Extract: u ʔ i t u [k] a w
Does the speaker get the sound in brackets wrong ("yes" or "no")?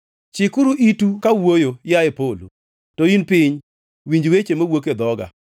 no